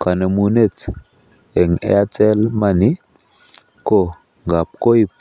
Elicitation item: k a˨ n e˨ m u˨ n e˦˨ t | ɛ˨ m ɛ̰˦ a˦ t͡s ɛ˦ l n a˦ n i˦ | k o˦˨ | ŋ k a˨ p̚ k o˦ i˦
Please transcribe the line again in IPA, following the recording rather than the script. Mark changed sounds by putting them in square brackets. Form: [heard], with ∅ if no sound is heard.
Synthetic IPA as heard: k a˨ n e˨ m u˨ n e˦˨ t | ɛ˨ [ŋ] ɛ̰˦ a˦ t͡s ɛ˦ l [m] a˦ n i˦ | k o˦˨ | ŋ [ɡ] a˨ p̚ k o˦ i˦